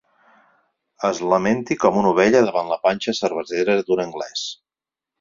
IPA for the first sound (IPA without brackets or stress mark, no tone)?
ə